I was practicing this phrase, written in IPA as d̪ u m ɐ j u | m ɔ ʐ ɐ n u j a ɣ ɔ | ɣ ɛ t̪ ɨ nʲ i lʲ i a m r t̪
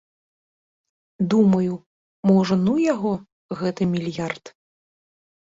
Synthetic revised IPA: d̪ u m ɐ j u | m ɔ ʐ ɐ n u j a ɣ ɔ | ɣ ɛ t̪ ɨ mʲ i lʲ j a r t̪